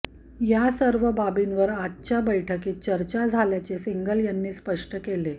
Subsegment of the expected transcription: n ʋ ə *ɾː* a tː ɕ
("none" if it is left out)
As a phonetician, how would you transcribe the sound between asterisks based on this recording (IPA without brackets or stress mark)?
ɾ